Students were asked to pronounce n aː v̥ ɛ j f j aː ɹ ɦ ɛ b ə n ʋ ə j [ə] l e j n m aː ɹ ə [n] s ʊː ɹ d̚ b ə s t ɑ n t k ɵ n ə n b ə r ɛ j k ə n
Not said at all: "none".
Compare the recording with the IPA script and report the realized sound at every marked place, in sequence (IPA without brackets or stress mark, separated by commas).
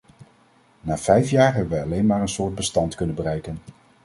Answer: ɑ, n